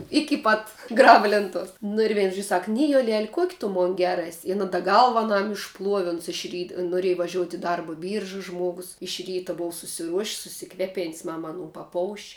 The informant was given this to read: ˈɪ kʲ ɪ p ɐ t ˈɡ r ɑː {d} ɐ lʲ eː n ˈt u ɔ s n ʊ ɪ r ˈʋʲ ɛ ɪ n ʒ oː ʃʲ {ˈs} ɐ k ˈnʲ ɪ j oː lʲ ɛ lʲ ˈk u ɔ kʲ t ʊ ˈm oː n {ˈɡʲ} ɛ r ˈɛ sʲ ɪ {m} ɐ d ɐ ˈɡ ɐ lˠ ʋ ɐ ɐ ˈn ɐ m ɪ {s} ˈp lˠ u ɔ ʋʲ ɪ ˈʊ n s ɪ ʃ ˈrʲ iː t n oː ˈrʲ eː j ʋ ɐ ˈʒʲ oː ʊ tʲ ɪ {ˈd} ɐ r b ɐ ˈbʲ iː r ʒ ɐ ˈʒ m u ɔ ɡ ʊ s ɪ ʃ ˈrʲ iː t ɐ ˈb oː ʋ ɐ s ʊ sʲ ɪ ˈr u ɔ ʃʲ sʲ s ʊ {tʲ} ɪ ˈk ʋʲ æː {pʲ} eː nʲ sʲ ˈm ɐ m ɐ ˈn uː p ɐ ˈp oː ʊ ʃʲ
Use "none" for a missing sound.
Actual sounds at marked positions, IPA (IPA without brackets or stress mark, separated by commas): b, s, ɡʲ, n, ʃ, d, sʲ, pʲ